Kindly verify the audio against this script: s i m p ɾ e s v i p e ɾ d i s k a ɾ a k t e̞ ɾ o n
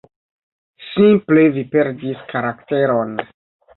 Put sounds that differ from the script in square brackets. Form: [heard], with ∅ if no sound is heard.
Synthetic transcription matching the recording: s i m p [l] e [∅] v i p e ɾ d i s k a ɾ a k t e̞ ɾ o n